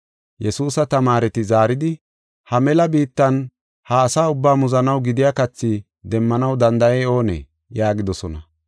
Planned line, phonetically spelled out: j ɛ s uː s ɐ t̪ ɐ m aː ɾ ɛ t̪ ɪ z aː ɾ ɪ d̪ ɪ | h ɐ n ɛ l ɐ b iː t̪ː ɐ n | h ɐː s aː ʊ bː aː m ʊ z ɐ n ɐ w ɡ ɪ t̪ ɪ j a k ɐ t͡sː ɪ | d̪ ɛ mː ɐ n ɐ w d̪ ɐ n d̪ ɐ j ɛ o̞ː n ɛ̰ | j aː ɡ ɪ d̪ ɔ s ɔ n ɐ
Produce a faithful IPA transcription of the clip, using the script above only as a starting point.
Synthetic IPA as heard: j ɛ s uː s ɐ t̪ ɐ m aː ɾ ɛ t̪ ɪ z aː ɾ ɪ d̪ ɪ | h ɐ m ɛ l ɐ b iː t̪ː ɐ n | h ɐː s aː ʊ bː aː m ʊ z ɐ n ɐ w ɡ ɪ d̪ ɪ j a k ɐ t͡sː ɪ | d̪ ɛ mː ɐ n ɐ w d̪ ɐ n d̪ ɐ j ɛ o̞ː n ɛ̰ | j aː ɡ ɪ d̪ ɔ s ɔ n ɐ